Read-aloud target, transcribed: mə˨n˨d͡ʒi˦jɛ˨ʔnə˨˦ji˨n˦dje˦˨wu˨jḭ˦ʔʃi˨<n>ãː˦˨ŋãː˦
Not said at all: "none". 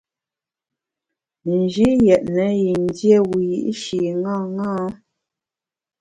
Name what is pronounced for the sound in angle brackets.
ŋ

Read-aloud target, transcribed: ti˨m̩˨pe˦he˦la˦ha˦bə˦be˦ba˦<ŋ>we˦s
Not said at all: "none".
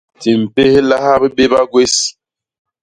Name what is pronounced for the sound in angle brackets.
ɡ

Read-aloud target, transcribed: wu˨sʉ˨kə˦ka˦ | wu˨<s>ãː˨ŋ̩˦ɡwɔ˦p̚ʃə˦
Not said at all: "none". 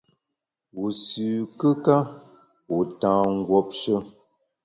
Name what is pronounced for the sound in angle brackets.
t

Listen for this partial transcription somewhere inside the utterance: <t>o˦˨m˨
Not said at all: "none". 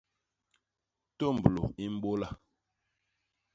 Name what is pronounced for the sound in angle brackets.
t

